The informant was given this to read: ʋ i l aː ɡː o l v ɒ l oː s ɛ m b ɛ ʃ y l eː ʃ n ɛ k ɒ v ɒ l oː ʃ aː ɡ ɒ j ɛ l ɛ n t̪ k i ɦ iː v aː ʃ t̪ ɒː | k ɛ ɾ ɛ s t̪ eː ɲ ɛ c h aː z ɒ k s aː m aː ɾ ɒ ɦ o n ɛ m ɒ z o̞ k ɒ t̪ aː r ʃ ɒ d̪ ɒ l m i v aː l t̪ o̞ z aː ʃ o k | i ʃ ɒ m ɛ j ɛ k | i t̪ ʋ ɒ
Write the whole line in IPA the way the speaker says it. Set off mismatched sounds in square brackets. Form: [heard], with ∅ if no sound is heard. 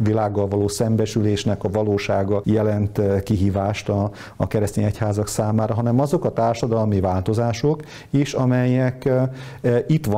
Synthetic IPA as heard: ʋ i l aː ɡː [ɒ] l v ɒ l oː s ɛ m b ɛ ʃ y l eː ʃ n ɛ k ɒ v ɒ l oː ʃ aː ɡ ɒ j ɛ l ɛ n t̪ k i ɦ iː v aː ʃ t̪ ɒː | k ɛ ɾ ɛ s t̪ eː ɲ ɛ c h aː z ɒ k s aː m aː ɾ ɒ ɦ [ɒ] n ɛ m ɒ z o̞ k ɒ t̪ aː r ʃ ɒ d̪ ɒ l m i v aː l t̪ o̞ z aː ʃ o k | i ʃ ɒ m ɛ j ɛ k | i t̪ ʋ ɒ